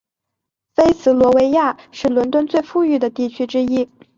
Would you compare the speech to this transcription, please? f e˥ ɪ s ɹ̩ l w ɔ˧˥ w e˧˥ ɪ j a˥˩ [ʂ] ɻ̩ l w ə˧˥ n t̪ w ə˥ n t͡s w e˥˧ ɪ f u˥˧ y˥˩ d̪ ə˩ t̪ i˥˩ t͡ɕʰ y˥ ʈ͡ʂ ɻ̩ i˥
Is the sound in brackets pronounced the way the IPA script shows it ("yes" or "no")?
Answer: yes